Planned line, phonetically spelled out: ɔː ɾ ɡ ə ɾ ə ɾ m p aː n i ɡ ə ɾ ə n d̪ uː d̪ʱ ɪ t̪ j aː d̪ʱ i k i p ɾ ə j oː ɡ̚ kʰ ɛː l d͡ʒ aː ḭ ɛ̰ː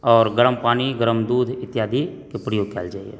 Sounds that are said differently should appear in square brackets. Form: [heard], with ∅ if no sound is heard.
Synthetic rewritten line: ɔː ɾ ɡ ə ɾ ə [∅] m p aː n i ɡ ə ɾ ə [m] d̪ uː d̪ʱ ɪ t̪ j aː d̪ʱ i k [e] p ɾ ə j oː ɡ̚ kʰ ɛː l d͡ʒ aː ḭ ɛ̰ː

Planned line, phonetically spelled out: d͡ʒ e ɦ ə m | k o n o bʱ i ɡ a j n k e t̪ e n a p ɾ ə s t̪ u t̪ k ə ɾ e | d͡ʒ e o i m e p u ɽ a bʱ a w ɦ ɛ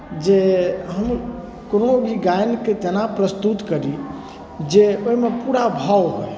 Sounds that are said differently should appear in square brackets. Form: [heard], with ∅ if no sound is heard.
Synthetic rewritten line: d͡ʒ e ɦ ə m | k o n o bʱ i ɡ a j n k e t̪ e n a p ɾ ə s t̪ u t̪ k ə ɾ [i] | d͡ʒ e o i m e p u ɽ a bʱ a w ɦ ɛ

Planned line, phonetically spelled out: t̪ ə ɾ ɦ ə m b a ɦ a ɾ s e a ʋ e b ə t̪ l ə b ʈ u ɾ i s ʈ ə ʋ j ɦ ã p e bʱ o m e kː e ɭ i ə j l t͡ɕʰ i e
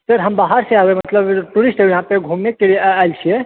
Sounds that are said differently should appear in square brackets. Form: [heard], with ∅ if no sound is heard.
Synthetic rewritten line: t̪ ə ɾ ɦ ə m b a ɦ a ɾ s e a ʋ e [m] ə t̪ l ə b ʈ u ɾ i s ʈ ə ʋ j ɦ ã p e [ɡʱ] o m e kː e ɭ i [a] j l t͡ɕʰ i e

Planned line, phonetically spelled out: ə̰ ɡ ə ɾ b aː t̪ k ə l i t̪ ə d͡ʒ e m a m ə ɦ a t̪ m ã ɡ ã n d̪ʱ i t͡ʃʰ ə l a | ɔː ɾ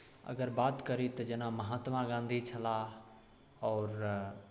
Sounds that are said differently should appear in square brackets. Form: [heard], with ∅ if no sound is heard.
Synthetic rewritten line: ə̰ ɡ ə ɾ b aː t̪ k ə [ɾ] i t̪ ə d͡ʒ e [n] a m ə ɦ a t̪ m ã ɡ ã n d̪ʱ i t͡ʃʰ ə l a | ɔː ɾ

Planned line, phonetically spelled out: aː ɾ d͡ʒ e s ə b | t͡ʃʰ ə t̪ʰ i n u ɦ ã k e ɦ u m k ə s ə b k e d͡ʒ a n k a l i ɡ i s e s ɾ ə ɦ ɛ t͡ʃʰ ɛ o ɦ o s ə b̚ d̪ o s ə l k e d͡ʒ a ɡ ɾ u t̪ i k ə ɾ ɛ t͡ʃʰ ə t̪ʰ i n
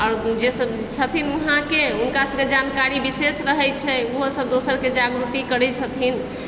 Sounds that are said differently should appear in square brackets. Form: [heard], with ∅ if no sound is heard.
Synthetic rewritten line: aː ɾ d͡ʒ e s ə b | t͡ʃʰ ə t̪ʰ i n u ɦ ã k e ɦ u [n] k [a] s ə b k e d͡ʒ a n k a [ɾ] i [b] i s e s ɾ ə ɦ ɛ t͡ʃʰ ɛ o ɦ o s ə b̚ d̪ o s ə [ɾ] k e d͡ʒ a ɡ ɾ u t̪ i k ə ɾ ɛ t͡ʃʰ ə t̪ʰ i n

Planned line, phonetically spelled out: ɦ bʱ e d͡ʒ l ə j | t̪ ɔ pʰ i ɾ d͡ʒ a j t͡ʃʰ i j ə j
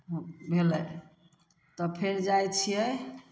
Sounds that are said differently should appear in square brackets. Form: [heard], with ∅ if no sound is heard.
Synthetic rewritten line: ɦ bʱ e [∅] l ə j | t̪ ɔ pʰ [e] ɾ d͡ʒ a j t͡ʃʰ i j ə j

